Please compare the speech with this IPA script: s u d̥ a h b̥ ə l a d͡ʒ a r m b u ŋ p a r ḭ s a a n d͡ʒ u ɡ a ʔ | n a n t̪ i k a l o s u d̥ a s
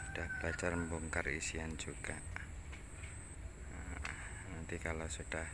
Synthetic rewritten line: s u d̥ a h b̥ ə l a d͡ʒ a r m b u ŋ k a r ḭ s i a n d͡ʒ u ɡ a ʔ | n a n t̪ i k a l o s u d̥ a h